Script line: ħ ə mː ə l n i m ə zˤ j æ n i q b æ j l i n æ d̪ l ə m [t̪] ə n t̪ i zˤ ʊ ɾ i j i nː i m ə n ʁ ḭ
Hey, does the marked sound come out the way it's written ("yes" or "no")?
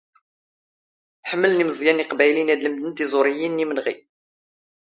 no